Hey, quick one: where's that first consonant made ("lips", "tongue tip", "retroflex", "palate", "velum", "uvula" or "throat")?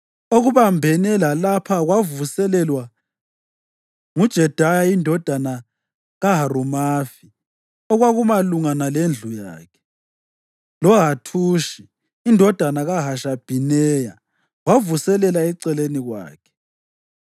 velum